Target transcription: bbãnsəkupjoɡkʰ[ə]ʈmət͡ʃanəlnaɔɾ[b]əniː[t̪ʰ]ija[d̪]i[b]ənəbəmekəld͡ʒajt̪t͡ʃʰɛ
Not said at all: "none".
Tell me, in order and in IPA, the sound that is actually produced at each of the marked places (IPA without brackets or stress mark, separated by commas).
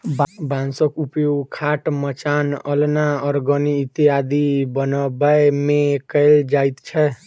a, ɡ, t̪, d̪, b